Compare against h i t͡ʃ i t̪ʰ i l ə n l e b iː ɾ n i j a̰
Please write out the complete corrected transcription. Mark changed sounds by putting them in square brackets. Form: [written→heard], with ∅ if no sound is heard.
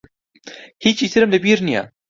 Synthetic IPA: h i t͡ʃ i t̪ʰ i [l→ɾ] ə [n→m] l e b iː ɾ n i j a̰

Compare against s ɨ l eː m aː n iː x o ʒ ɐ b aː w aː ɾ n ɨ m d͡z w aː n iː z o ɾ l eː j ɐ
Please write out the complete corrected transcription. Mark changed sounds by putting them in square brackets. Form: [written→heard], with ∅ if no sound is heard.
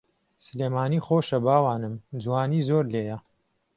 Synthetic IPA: s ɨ l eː m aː n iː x o [ʒ→ʃ] ɐ b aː w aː [ɾ→∅] n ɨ m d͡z w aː n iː z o ɾ l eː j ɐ

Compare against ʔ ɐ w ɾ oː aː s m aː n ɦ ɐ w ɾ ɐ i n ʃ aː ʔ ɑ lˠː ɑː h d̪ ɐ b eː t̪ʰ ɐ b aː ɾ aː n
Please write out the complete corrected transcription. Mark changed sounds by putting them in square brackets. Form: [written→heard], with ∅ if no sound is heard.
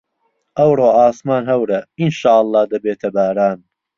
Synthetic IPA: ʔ ɐ w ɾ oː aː s m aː n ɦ ɐ w ɾ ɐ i n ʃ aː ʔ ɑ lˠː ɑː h d̪ ɐ b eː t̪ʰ ɐ b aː ɾ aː n

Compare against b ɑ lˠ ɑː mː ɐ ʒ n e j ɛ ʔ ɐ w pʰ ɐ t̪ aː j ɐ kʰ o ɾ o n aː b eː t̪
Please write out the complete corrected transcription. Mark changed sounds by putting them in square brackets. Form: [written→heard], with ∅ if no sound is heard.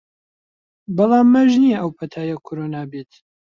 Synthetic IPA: b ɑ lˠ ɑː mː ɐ ʒ n [e→i] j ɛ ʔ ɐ w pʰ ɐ [t̪→t̪ʰ] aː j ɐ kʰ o ɾ o n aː b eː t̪

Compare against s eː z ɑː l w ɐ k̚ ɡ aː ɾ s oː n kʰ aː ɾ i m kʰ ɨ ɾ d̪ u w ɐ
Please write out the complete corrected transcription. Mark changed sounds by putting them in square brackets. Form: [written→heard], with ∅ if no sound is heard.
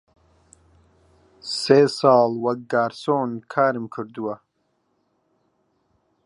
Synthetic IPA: s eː [z→s] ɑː l w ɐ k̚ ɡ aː ɾ s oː n kʰ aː ɾ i m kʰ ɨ ɾ d̪ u w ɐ

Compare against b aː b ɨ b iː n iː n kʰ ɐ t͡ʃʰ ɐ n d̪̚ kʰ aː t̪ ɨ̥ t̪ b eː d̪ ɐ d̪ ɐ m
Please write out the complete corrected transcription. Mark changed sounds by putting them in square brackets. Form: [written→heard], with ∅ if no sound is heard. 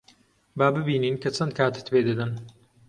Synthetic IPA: b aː b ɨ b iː n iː n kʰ ɐ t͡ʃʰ ɐ n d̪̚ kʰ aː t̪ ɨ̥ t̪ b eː d̪ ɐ d̪ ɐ [m→n]

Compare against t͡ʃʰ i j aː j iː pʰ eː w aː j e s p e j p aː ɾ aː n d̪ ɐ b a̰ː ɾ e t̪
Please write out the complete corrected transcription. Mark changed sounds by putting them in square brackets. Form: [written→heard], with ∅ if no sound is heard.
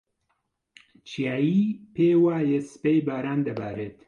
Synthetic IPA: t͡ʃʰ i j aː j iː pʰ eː w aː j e s p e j [p→b] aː ɾ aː n d̪ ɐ b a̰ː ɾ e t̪

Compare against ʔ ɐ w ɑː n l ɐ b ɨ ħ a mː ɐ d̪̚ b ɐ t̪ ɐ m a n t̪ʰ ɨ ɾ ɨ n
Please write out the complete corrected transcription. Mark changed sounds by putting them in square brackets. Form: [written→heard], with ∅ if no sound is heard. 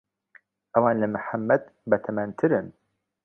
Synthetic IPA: ʔ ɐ w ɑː n l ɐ [b→m] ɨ ħ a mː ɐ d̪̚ b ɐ [t̪→t̪ʰ] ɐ m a n t̪ʰ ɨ ɾ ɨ n

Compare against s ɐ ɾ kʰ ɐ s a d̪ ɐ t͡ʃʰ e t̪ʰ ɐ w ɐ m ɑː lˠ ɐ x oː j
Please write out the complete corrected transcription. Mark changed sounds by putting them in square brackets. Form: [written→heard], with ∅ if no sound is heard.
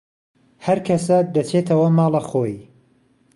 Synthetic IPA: [s→h] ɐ ɾ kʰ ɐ s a d̪ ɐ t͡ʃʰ e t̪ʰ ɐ w ɐ m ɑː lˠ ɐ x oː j

